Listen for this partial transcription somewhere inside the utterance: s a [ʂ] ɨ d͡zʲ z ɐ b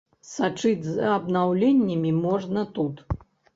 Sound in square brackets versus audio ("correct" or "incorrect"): incorrect